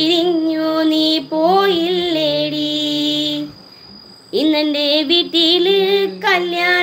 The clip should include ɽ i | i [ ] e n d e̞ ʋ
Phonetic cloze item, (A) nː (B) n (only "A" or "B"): A